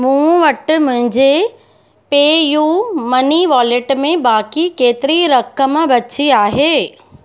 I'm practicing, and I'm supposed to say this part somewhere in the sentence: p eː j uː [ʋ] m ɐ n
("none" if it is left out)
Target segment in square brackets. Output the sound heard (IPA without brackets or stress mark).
none